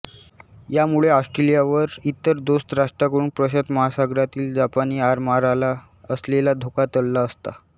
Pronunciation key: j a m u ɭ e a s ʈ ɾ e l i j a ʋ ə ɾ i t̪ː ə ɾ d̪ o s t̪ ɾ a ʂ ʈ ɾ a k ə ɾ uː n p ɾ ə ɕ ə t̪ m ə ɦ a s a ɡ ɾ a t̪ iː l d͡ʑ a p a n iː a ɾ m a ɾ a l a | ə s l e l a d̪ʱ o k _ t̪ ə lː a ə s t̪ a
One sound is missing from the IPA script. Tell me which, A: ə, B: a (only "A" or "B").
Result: B